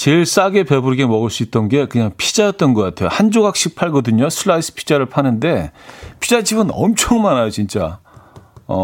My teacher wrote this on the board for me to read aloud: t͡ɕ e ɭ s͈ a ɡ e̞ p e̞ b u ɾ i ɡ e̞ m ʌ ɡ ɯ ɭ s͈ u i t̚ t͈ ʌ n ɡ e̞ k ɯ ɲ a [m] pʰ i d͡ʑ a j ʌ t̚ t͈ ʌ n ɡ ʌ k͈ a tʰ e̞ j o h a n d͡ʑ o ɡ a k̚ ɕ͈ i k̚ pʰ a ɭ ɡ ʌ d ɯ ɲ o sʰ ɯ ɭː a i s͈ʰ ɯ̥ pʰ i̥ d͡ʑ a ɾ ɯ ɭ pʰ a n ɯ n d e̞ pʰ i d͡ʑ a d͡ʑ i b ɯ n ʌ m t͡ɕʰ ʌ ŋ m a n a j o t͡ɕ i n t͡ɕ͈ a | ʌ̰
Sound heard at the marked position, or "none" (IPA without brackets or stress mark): ŋ